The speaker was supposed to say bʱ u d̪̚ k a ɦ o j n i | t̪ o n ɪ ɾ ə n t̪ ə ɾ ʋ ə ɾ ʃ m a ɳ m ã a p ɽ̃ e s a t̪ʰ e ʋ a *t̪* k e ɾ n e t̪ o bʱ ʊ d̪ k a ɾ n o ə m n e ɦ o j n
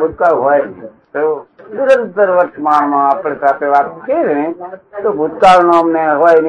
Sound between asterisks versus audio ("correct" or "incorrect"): correct